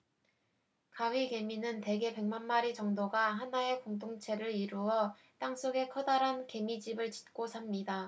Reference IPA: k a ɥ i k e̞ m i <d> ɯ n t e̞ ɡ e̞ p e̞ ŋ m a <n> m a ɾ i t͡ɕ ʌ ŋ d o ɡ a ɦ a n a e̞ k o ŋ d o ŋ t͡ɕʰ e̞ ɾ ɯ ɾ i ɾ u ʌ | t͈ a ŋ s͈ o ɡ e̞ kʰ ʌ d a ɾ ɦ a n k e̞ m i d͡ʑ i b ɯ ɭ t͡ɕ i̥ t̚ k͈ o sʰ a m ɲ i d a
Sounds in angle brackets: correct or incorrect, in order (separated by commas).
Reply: incorrect, correct